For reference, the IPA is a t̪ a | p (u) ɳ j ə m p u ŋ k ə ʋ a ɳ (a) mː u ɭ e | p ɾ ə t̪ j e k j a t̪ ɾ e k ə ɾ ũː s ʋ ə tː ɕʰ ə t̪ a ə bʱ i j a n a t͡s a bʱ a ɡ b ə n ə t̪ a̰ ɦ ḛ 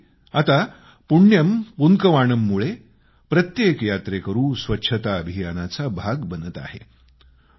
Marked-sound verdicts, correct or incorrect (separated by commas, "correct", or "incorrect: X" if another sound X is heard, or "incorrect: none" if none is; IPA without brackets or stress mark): correct, incorrect: ə